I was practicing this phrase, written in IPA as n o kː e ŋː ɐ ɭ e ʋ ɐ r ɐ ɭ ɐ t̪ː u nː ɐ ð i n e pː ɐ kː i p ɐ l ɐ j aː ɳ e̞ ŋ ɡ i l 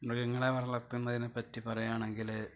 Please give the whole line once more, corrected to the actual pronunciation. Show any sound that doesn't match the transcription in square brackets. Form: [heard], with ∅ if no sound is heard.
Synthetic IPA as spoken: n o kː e ŋː ɐ ɭ e ʋ ɐ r ɐ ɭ ɐ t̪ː u nː ɐ ð i n e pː ɐ [tː] i p ɐ [r] ɐ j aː ɳ e̞ ŋ ɡ i l

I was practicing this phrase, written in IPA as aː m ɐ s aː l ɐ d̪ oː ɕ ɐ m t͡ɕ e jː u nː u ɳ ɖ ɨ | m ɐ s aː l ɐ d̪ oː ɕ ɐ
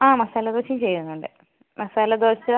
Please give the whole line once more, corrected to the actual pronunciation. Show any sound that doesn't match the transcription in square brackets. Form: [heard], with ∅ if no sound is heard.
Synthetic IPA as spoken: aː m ɐ s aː l ɐ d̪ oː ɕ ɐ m t͡ɕ e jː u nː u ɳ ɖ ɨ | m ɐ s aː l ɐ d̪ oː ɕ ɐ

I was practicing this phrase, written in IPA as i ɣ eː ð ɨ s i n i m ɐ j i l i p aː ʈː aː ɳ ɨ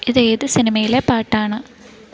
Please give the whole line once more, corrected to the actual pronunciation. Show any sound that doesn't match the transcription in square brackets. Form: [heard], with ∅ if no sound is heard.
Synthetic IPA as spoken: i [ð] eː ð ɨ s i n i m ɐ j i l [e] p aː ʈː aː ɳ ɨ

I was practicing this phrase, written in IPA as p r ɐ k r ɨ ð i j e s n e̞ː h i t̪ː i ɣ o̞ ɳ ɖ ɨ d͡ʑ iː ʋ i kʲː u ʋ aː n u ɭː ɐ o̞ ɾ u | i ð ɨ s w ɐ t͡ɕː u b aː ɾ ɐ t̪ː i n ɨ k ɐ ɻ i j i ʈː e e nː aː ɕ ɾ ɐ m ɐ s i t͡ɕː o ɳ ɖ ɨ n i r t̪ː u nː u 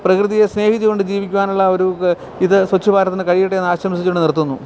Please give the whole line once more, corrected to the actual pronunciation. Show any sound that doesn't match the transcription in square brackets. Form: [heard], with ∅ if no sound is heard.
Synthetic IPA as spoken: p r ɐ k r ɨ ð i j e s n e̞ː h i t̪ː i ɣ o̞ ɳ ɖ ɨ d͡ʑ iː ʋ i kʲː u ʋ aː n u ɭː ɐ o̞ ɾ u | i ð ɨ s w ɐ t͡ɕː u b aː ɾ ɐ t̪ː i n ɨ k ɐ ɻ i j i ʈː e e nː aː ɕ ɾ ɐ m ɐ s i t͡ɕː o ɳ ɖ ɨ n i r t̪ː u nː u

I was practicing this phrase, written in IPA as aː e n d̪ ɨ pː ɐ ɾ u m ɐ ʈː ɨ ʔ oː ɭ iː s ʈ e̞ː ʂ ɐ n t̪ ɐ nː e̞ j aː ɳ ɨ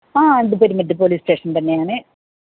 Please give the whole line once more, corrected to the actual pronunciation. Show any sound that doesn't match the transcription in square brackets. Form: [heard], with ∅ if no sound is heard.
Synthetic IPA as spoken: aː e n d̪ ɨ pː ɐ ɾ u m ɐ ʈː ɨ [p] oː [l] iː s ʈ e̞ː ʂ ɐ n t̪ ɐ nː e̞ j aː ɳ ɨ

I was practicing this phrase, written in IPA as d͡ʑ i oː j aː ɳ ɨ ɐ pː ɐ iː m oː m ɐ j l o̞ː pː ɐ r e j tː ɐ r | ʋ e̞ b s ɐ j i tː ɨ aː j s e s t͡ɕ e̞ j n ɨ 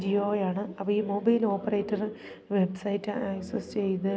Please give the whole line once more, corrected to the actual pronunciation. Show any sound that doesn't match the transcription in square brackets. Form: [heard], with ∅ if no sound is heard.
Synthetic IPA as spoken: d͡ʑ i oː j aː ɳ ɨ ɐ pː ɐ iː m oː [b] ɐ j l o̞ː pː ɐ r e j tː ɐ r | ʋ e̞ b s ɐ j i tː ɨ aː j s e s t͡ɕ e̞ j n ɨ

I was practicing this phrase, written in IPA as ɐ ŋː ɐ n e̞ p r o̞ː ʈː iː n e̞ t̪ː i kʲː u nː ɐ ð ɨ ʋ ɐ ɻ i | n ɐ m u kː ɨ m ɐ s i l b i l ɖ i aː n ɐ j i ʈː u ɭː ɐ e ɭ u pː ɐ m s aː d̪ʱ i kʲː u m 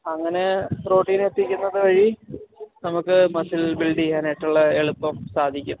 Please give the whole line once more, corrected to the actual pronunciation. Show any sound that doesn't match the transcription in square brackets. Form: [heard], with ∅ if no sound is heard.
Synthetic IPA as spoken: ɐ ŋː ɐ n e̞ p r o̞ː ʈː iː n e̞ t̪ː i kʲː u nː ɐ ð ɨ ʋ ɐ ɻ i | n ɐ m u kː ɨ m ɐ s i l b i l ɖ i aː n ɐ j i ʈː u ɭː ɐ e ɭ u pː ɐ m s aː d̪ʱ i kʲː u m

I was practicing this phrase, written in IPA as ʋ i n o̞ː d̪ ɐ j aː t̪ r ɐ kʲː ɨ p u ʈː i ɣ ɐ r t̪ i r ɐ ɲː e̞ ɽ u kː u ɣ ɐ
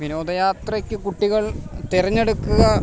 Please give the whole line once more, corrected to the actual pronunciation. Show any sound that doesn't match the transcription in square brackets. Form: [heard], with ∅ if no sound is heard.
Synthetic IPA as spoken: ʋ i n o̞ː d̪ ɐ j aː t̪ r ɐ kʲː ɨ [k] u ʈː i ɣ ɐ [ɭ] t̪ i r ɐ ɲː e̞ ɽ u kː u ɣ ɐ

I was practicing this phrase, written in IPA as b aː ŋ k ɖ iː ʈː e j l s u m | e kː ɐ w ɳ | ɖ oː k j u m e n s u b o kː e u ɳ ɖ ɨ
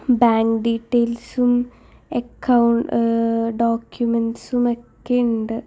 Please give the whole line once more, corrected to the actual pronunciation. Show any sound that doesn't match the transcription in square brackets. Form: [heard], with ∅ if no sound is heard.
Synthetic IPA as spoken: b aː ŋ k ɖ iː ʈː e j l s u m | e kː ɐ w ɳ | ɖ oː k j u m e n s u [m] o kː e u ɳ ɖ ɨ

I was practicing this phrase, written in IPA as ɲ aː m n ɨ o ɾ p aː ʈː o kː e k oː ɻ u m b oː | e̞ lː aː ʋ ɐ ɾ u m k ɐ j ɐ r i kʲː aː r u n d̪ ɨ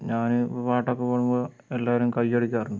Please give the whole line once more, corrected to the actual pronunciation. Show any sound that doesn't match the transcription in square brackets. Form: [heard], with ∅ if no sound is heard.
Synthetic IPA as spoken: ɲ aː [∅] n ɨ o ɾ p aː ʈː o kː e [p] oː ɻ u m b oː | e̞ lː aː ʋ ɐ ɾ u m k ɐ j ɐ [ɽ] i kʲː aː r u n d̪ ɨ

